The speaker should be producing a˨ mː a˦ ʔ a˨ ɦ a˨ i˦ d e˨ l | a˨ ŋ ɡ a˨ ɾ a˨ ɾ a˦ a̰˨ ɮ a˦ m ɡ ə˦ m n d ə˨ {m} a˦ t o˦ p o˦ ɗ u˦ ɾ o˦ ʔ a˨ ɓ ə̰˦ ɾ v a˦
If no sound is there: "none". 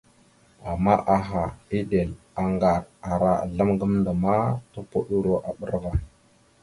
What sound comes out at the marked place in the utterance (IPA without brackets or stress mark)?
m